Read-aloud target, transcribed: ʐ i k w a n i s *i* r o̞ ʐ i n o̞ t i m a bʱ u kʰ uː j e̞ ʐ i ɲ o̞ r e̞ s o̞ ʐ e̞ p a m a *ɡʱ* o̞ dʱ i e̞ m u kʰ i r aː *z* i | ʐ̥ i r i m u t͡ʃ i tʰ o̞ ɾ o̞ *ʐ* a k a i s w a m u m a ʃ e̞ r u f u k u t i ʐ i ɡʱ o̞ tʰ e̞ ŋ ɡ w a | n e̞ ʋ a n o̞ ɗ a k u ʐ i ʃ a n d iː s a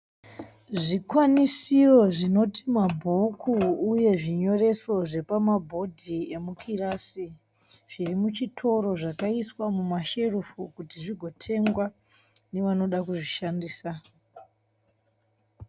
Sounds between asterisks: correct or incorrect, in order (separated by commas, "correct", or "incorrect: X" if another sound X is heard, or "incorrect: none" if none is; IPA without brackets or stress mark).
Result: correct, incorrect: bʱ, incorrect: s, correct